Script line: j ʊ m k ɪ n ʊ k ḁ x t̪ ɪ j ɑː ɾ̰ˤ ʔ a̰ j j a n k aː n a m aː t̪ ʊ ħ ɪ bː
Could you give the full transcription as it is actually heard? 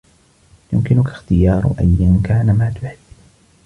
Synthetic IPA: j ʊ m k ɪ n ʊ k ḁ x t̪ ɪ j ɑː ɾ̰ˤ ʔ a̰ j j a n k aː n a m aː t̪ ʊ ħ ɪ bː